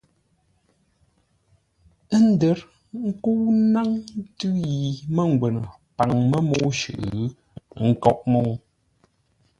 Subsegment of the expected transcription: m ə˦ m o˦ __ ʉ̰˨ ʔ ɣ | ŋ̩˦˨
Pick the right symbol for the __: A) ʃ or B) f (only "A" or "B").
A